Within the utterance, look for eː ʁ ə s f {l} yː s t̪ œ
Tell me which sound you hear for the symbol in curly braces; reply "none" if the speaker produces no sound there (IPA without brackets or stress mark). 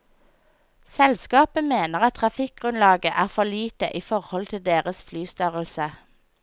l